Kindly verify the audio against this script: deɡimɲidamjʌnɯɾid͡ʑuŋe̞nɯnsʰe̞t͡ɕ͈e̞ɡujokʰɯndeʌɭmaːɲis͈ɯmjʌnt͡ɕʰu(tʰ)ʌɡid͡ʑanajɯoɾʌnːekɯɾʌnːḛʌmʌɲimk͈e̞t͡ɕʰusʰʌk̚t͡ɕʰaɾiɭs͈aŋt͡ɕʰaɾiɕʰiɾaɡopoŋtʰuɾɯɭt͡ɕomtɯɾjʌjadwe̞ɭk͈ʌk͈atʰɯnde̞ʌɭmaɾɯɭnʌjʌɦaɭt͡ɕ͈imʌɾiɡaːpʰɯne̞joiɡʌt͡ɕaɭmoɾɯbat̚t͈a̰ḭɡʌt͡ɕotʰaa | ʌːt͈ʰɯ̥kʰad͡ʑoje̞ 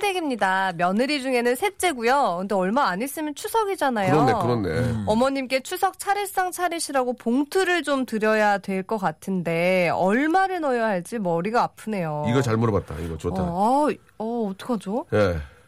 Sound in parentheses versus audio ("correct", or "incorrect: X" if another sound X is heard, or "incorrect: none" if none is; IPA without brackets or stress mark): incorrect: sʰ